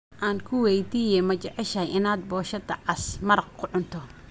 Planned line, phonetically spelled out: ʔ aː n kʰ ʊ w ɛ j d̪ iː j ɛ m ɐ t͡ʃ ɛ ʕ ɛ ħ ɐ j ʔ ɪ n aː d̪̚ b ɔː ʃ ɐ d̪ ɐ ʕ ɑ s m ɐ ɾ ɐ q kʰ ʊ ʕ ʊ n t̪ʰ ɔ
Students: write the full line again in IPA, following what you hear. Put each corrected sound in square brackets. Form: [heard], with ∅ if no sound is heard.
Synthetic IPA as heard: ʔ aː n kʰ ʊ w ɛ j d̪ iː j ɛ m ɐ t͡ʃ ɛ ʕ ɛ [ʃ] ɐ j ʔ ɪ n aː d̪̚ b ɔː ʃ ɐ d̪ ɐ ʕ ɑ s m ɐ ɾ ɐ q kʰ ʊ ʕ ʊ n t̪ʰ ɔ